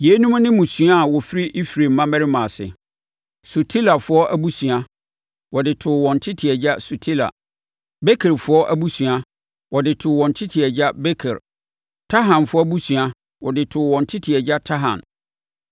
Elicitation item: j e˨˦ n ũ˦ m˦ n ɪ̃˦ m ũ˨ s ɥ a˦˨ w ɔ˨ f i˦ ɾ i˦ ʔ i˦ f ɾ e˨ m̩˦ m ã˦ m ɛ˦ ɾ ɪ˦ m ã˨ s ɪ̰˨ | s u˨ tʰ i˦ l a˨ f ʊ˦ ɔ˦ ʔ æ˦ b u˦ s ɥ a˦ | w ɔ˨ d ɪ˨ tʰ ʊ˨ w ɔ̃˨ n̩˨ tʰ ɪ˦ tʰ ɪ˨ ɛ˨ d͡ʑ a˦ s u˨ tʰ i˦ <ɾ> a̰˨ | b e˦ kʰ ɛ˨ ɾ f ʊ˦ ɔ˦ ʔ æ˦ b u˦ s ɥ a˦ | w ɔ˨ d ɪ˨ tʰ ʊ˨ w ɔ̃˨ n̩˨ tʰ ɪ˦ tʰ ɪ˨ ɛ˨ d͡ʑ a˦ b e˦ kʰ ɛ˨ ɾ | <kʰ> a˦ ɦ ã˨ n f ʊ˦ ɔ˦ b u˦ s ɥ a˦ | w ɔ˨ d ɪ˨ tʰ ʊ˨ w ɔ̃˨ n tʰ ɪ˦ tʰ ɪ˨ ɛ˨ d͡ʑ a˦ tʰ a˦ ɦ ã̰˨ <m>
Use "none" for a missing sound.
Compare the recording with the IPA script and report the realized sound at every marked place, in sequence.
l, tʰ, n

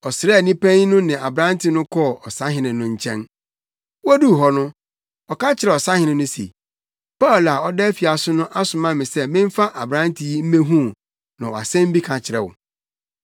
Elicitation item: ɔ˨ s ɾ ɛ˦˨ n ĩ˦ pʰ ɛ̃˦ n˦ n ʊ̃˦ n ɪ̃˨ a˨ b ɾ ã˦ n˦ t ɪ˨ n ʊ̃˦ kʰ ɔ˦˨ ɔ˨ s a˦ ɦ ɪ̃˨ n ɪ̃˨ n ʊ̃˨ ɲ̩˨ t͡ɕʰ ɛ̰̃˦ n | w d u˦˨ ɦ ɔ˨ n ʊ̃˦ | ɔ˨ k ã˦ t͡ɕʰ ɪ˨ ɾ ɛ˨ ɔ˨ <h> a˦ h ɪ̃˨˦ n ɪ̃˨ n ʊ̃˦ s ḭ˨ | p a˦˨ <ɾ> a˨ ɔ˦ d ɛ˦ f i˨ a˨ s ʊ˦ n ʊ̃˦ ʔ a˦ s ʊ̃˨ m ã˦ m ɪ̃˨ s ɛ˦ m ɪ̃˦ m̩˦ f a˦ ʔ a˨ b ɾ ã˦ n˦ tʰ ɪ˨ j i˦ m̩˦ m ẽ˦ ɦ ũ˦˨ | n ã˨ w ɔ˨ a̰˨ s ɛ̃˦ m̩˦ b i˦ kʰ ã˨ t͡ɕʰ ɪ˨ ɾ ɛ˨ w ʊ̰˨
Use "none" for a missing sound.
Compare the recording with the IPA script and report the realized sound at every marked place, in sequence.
s, l

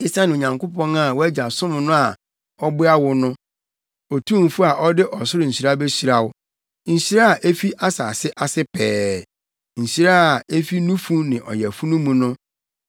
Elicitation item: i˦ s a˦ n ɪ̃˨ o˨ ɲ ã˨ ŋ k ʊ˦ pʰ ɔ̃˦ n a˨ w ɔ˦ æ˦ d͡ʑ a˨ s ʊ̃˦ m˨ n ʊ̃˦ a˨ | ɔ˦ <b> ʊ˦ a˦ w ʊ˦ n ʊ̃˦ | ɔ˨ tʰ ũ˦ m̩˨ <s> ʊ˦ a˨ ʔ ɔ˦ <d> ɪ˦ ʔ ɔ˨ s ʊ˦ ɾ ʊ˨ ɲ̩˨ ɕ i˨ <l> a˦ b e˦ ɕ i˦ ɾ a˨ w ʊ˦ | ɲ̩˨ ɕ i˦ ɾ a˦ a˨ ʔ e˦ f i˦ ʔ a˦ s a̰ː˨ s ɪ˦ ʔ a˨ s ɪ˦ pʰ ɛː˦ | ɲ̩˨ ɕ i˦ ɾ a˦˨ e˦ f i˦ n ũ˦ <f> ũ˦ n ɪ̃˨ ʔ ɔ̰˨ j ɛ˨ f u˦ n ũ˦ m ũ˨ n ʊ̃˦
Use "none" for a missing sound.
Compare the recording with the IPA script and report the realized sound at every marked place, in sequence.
b, f, d, ɾ, f

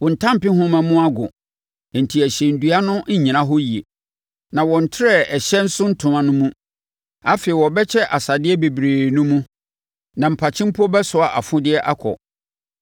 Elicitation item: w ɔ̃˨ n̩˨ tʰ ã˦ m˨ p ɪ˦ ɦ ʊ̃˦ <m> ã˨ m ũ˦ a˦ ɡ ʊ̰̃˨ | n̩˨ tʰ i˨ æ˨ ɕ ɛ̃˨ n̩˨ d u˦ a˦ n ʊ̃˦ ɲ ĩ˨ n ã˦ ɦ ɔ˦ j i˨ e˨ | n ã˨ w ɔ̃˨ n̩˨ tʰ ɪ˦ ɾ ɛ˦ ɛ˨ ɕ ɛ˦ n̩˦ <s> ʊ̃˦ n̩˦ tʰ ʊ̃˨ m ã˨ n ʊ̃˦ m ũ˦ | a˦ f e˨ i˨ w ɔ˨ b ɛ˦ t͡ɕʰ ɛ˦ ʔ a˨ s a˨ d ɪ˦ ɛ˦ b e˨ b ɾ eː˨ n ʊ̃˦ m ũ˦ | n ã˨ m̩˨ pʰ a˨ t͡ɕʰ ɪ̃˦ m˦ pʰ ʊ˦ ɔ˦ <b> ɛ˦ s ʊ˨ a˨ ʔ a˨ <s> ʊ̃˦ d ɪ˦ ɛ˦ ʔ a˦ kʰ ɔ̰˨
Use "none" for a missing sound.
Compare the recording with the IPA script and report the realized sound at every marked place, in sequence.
m, s, b, f

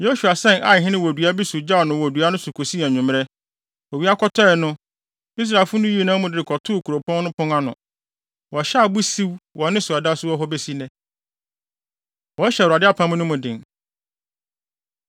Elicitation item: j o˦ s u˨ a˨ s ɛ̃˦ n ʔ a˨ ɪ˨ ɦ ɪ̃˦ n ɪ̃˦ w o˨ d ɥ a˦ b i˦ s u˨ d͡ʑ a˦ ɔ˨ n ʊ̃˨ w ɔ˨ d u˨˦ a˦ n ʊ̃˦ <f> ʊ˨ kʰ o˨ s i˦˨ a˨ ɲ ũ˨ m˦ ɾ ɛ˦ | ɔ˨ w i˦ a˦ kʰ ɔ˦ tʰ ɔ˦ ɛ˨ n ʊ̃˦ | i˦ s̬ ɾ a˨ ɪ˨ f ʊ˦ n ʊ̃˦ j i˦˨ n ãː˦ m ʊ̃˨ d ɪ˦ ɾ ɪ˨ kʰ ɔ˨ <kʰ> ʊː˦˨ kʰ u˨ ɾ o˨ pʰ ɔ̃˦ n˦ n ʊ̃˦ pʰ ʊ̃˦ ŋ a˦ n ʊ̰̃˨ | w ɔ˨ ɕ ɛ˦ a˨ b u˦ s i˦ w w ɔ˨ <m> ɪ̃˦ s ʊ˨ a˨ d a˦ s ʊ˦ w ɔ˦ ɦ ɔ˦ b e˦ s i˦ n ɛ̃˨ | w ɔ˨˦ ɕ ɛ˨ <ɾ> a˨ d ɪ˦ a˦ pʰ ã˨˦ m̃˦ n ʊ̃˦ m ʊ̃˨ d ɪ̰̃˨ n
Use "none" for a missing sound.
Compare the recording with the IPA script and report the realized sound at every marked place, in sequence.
s, tʰ, n, ɾ

